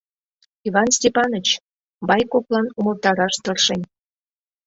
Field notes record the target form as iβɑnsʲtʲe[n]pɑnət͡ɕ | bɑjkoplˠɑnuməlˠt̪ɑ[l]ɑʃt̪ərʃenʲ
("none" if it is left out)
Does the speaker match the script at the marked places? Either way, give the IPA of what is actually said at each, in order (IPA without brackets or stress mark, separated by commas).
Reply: none, ɾ